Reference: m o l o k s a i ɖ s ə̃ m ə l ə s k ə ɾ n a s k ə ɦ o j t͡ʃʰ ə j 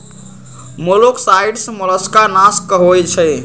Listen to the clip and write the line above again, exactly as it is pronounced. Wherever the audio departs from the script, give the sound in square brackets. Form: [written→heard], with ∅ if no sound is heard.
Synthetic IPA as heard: m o l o k s a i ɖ s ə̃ m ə l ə s k [ə→a] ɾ n a s k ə ɦ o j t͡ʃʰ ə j